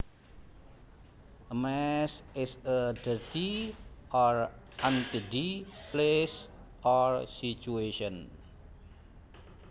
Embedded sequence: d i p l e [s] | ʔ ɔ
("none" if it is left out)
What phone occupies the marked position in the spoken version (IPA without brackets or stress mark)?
s